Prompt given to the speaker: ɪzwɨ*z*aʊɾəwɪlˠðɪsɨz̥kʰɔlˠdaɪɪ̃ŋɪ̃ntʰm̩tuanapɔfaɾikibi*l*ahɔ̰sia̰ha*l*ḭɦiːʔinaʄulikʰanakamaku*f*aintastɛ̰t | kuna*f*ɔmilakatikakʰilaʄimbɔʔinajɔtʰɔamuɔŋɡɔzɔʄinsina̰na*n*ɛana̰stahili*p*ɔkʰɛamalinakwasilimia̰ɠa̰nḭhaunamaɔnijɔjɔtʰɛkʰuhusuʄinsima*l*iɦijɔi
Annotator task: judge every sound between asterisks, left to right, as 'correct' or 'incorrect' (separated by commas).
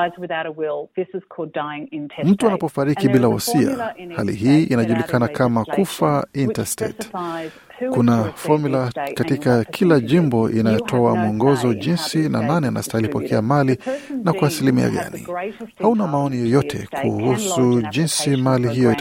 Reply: incorrect, correct, correct, correct, correct, correct, correct, correct